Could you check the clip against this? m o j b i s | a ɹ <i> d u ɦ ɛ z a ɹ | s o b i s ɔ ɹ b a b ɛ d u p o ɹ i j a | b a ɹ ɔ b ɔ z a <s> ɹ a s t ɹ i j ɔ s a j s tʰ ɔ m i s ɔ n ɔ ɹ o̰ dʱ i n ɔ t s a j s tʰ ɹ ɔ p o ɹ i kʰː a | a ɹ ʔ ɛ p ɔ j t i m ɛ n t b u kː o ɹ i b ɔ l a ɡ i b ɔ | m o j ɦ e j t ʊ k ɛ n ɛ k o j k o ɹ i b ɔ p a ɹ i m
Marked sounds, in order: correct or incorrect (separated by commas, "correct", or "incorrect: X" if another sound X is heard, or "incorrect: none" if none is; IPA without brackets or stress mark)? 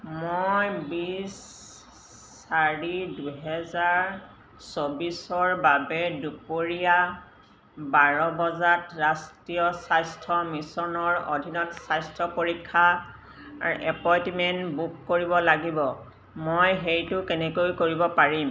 correct, incorrect: t